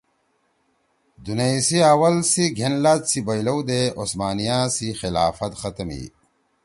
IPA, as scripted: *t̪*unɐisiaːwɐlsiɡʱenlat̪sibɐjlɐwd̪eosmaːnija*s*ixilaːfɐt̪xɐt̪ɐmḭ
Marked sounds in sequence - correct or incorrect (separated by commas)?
incorrect, correct